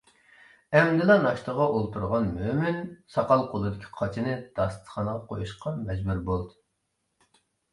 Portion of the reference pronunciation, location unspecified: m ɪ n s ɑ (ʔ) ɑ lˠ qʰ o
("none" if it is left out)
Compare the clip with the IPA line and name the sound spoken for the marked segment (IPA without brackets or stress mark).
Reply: q